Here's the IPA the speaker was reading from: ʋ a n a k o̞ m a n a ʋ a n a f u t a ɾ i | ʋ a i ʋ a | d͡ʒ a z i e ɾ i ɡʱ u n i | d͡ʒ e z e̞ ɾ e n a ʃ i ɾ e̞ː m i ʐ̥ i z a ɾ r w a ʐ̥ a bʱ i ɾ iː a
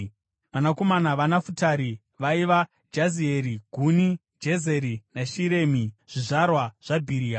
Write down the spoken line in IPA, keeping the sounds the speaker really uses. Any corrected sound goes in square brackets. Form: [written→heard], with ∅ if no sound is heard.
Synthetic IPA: ʋ a n a k o̞ m a n a ʋ a n a f u t a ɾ i | ʋ a i ʋ a | d͡ʒ a z i e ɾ i ɡʱ u n i | d͡ʒ e z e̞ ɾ [e→i] n a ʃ i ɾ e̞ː m i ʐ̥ i [z→ʐ] a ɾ r w a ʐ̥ a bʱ i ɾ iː a